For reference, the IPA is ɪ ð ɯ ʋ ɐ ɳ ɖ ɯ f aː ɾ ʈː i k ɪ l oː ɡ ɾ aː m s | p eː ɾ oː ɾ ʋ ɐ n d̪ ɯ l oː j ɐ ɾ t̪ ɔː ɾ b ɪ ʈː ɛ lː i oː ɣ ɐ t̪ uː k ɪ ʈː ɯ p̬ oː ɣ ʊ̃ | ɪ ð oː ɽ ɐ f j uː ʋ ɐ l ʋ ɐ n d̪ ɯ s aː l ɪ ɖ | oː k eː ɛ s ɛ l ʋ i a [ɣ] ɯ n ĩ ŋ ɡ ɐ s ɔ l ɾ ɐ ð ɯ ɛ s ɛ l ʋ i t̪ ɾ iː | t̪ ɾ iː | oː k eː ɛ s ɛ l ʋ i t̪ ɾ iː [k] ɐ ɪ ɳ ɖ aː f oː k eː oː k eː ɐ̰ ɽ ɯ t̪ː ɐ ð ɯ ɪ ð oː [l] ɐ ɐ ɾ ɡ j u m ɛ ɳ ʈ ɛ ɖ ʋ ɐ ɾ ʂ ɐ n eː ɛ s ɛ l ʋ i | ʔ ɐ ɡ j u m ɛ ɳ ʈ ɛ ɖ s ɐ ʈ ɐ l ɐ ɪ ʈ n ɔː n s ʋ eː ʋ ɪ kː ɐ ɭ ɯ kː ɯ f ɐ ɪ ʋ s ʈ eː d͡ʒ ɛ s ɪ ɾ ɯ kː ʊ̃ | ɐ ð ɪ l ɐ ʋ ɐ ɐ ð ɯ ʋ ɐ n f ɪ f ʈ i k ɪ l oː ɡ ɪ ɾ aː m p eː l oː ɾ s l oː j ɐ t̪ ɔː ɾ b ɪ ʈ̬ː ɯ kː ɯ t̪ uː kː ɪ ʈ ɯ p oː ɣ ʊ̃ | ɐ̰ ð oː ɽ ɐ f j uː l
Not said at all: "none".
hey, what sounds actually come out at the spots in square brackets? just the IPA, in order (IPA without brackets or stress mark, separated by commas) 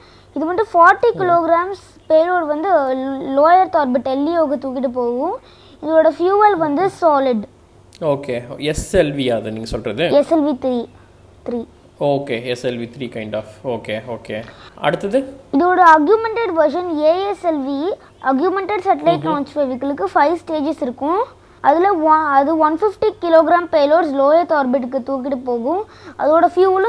ð, k, ɽ